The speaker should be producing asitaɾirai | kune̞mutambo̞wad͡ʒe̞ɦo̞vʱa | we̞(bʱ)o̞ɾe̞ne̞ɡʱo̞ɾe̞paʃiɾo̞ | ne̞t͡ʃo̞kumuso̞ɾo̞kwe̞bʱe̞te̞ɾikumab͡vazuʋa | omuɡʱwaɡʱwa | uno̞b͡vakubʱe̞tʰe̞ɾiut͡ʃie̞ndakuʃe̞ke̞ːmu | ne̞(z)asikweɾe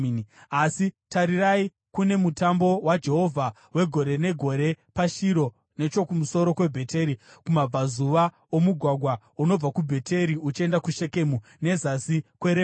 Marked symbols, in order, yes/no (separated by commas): no, yes